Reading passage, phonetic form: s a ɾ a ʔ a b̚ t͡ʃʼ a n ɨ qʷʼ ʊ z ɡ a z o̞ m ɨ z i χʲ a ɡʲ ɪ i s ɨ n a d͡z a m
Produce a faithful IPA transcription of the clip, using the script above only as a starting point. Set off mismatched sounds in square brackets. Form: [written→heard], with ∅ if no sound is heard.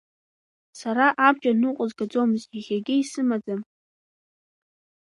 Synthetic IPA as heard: s a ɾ a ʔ a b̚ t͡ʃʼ a n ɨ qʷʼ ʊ z ɡ a [z→d͡z] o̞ m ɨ z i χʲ a ɡʲ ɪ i s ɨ [n→m] a d͡z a m